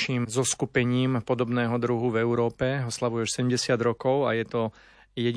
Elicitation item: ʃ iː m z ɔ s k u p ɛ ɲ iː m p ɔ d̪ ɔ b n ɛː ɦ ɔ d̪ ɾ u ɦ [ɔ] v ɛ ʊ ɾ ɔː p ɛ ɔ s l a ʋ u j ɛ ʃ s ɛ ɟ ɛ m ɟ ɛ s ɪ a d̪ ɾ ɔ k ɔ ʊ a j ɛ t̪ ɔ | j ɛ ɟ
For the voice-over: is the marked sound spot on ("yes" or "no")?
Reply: no